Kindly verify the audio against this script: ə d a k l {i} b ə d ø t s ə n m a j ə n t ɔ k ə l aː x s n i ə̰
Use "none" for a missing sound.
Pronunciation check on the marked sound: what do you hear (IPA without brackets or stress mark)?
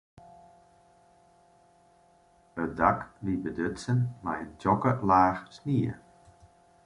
i